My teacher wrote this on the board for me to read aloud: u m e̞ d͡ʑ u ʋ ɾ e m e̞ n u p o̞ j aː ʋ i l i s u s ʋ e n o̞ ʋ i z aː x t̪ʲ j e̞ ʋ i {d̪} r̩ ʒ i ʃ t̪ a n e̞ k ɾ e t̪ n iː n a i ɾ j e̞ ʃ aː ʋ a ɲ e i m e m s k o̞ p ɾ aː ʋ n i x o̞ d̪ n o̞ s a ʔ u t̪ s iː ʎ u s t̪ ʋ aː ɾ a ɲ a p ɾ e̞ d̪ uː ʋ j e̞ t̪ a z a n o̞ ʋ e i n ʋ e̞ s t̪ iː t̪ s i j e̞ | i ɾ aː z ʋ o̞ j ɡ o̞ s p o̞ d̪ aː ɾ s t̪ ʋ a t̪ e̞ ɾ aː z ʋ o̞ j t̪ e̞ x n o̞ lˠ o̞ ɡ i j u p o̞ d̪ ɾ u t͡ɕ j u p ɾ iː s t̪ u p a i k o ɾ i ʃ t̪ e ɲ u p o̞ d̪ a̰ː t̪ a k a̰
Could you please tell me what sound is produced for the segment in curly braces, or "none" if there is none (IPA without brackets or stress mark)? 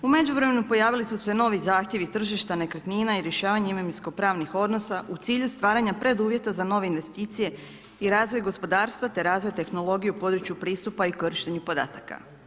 t̪